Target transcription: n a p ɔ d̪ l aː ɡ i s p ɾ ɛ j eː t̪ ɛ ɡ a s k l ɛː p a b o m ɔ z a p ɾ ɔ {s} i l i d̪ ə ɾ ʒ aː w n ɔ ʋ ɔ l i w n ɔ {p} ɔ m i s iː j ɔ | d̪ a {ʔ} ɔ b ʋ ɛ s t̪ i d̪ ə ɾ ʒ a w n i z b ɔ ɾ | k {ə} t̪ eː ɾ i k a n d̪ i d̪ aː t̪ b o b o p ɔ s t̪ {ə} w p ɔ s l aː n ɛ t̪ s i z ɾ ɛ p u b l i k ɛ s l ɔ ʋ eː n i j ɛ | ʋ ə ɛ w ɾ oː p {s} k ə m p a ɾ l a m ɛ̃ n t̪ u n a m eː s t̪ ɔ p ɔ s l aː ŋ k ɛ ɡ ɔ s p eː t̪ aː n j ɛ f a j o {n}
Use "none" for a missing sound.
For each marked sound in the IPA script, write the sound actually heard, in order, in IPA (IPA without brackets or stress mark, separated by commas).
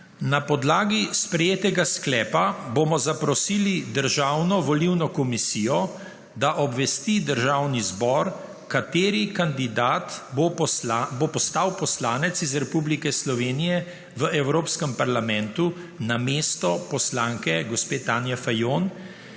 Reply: s, k, ʔ, a, a, s, n